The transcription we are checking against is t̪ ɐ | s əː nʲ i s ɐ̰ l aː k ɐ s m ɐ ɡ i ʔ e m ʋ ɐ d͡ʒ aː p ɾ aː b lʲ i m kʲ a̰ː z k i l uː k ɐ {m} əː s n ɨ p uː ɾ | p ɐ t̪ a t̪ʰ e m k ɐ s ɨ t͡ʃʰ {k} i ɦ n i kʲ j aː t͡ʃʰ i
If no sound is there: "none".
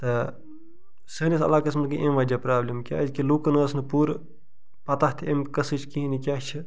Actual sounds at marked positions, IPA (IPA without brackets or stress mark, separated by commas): n, k